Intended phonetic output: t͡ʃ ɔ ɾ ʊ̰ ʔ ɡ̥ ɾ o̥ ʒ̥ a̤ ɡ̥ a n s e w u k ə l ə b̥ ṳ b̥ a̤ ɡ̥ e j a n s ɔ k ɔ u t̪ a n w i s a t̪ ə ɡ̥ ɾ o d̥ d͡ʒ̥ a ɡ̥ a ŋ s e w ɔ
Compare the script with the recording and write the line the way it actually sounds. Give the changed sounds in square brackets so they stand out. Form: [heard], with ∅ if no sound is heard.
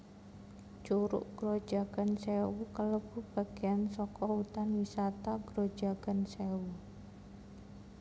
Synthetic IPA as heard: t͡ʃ [u] ɾ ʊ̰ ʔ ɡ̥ ɾ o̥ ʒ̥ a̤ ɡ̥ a n s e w u k ə l ə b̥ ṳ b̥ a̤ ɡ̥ e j a n s ɔ k ɔ u t̪ a n w i s a t̪ [a] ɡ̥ ɾ o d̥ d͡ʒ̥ a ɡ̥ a [n] s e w [u]